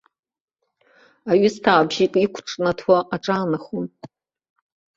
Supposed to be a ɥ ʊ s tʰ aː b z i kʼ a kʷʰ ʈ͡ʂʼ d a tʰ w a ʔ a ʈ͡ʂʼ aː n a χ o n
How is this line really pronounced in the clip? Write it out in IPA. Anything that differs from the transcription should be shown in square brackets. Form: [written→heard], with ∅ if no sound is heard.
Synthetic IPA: a ɥ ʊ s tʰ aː b [z→ʒ] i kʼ [a→i] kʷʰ ʈ͡ʂʼ [d→n] a tʰ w a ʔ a ʈ͡ʂʼ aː n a χ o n